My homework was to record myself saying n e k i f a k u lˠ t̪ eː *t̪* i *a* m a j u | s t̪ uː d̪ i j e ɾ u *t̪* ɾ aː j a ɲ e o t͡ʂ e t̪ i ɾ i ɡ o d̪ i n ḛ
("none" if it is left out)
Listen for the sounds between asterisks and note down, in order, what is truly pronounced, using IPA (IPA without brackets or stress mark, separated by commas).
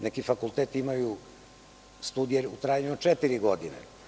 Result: t̪, i, t̪